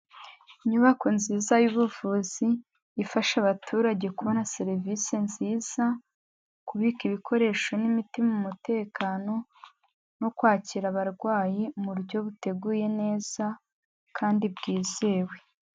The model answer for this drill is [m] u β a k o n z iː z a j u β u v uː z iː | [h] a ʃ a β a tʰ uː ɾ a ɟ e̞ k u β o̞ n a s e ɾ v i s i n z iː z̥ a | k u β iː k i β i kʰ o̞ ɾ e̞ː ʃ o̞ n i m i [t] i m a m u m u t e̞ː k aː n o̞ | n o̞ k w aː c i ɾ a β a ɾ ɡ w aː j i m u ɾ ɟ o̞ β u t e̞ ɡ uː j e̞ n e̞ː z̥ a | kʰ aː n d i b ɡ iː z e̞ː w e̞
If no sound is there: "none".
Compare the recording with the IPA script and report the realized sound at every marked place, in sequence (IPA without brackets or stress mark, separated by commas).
ɲ, f, t